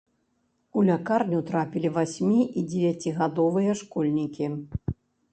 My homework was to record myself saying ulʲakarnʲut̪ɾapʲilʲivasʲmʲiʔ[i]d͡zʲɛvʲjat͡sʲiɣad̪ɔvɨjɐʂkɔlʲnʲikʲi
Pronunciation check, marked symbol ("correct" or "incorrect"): correct